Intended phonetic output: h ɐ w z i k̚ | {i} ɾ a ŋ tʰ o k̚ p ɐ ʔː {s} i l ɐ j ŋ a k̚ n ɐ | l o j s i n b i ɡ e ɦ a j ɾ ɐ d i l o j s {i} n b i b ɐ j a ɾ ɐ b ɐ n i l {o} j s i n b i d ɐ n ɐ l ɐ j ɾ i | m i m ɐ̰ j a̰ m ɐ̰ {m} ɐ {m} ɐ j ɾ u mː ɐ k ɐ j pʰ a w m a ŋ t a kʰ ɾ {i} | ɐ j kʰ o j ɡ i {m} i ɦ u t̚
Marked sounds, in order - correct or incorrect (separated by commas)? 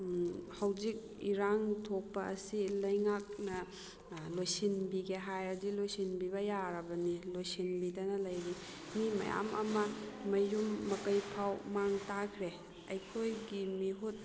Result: correct, correct, correct, correct, correct, correct, incorrect, correct